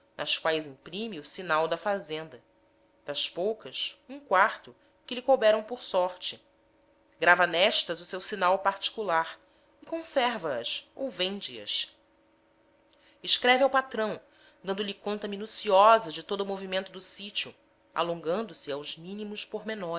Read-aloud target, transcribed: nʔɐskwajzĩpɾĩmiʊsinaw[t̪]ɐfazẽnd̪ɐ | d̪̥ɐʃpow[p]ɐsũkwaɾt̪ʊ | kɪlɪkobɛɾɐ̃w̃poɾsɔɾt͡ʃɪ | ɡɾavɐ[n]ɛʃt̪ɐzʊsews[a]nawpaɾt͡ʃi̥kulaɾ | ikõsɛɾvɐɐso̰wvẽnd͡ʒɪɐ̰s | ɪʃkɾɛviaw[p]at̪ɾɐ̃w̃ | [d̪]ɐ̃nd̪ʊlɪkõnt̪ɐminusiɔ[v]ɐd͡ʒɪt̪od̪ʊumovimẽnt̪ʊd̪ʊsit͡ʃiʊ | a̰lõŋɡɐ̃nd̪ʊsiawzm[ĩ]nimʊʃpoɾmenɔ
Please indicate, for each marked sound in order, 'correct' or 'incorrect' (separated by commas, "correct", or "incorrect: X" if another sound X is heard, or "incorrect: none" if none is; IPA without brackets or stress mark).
incorrect: d̪, incorrect: k, correct, incorrect: i, correct, correct, incorrect: z, correct